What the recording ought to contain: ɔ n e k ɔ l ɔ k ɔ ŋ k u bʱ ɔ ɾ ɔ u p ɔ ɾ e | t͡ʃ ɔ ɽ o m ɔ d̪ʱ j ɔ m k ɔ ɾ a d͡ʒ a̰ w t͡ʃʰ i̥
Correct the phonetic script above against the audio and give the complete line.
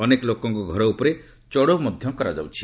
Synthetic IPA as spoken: ɔ n e k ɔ l o k ɔ ŋ k u ɡʱ ɔ ɾ ɔ u p ɔ ɾ e | t͡ʃ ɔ ɽ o m ɔ d̪ʱ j ɔ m k ɔ ɾ a d͡ʒ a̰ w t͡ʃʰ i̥